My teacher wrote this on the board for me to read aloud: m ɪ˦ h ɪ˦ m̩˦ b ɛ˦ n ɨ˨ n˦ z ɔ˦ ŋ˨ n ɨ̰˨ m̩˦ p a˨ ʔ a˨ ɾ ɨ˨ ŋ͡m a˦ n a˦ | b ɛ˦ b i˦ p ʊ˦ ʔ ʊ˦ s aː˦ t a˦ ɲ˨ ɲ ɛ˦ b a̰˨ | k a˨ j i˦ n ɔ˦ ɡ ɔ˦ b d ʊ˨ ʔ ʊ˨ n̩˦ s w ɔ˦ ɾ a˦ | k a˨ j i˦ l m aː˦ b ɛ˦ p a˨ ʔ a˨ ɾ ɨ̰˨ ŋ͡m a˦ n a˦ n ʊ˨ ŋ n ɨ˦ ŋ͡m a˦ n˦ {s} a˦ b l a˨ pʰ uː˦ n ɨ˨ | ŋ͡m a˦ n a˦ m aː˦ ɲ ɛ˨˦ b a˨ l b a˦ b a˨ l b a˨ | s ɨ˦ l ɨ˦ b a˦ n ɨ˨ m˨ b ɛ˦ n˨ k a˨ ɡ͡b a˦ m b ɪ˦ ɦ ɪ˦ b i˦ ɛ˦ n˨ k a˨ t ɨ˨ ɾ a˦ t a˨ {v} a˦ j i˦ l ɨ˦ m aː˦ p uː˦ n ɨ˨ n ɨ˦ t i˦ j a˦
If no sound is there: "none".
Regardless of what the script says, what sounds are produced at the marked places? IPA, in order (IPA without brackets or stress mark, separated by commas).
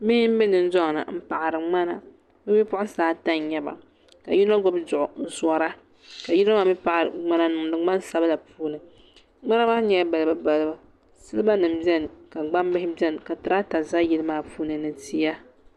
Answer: s, z